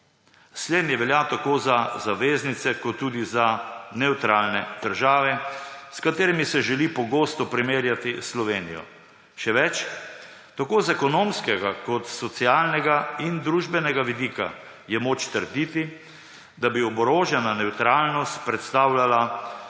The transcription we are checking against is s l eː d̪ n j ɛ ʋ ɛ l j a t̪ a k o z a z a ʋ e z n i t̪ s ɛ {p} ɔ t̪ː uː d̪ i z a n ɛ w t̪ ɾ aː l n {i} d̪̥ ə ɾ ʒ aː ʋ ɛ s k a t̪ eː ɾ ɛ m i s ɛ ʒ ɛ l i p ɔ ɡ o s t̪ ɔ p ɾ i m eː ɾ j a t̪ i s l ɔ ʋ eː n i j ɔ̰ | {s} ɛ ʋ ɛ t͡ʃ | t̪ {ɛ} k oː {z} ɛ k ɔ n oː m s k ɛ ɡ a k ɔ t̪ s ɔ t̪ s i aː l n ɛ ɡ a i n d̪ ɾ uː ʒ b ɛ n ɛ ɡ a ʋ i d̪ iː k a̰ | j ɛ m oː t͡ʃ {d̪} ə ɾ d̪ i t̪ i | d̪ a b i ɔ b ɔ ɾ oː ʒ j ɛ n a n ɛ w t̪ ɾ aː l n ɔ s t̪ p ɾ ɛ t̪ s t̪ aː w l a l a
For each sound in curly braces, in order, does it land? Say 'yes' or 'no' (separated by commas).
no, no, no, no, yes, no